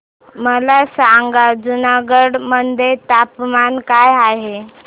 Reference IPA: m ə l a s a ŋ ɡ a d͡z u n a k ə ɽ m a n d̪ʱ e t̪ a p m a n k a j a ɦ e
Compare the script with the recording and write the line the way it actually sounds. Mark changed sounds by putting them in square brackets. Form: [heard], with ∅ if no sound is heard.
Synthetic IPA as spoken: m ə l a s a ŋ ɡ a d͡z u n a [ɡ] ə ɽ m [ə] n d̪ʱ e t̪ a p m a n k a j a ɦ e